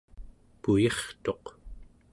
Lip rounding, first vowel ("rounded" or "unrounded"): rounded